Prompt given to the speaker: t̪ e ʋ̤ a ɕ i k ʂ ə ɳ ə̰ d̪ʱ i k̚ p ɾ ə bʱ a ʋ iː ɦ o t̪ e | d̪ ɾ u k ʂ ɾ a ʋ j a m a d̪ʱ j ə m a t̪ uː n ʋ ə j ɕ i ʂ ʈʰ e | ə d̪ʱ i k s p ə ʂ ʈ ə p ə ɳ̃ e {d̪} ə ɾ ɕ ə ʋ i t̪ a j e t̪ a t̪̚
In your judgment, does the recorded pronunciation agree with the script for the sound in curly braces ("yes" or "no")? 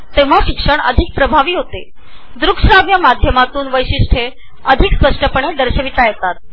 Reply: yes